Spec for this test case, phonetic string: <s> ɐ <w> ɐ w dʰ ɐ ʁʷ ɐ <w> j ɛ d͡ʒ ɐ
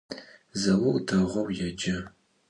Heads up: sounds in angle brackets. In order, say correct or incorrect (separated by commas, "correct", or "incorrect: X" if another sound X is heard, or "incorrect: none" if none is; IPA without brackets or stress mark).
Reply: incorrect: z, correct, correct